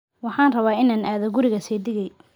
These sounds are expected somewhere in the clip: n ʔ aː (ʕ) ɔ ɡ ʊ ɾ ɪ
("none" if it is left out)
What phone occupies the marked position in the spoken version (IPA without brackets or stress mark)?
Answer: ð